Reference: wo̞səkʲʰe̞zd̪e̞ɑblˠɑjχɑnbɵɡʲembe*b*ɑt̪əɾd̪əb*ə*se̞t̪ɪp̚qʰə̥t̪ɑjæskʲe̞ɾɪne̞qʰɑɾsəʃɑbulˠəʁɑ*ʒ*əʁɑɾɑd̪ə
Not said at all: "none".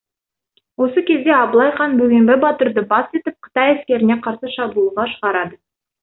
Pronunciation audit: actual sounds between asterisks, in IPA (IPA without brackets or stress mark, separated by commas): b, ɑ, ʃ